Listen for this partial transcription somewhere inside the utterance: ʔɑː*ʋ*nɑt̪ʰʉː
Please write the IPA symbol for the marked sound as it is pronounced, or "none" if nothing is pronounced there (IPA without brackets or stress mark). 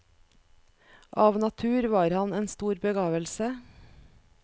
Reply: ʋ